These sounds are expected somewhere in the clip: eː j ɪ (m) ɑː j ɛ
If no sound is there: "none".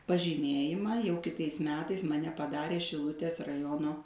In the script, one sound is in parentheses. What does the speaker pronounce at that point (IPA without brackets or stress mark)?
m